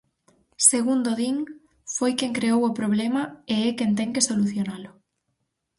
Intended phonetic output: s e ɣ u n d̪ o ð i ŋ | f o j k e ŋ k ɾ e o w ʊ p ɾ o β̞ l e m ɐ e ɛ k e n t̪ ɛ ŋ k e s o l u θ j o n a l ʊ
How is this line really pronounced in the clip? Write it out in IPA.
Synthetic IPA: s e ɣ u n d̪ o ð i ŋ | f o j k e ŋ k ɾ e o w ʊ p ɾ o β̞ l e m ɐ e ɛ k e n t̪ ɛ ŋ k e s o l u θ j o n a l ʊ